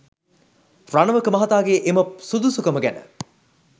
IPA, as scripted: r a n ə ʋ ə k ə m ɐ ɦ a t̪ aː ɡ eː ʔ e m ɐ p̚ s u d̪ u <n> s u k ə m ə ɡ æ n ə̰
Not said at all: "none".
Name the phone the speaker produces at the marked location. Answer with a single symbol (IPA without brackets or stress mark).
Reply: none